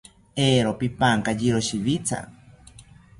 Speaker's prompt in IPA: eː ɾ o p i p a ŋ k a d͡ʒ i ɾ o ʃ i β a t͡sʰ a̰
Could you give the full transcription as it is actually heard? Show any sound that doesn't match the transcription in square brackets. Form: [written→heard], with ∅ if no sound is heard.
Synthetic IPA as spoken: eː ɾ o p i p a ŋ k a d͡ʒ i ɾ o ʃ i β [a→i] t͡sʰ a̰